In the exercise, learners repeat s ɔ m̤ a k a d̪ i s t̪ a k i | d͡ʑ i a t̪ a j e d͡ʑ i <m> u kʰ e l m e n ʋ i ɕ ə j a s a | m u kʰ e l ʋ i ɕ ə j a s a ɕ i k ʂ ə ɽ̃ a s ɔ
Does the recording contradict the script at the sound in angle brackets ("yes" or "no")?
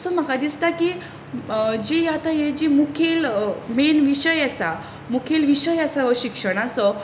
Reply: no